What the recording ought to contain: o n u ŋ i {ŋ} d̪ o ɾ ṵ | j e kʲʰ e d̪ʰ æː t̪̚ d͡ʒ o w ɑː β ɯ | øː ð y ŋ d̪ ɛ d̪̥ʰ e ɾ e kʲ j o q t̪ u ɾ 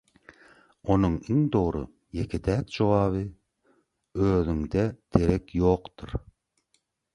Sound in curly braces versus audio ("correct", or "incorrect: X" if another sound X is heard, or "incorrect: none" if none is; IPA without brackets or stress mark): correct